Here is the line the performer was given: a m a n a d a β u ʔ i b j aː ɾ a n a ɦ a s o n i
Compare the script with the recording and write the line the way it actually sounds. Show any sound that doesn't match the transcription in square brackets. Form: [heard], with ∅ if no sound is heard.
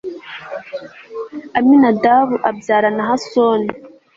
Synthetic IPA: a m [i] n a d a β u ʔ [a] b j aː ɾ a n a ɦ a s o n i